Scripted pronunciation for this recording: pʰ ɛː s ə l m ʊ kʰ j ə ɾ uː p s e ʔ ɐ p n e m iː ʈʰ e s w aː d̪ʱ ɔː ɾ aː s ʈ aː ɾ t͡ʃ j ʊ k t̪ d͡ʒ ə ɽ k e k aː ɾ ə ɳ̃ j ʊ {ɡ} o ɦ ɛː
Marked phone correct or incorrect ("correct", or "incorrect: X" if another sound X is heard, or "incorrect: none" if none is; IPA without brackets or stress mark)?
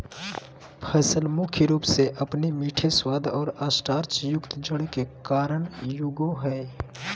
correct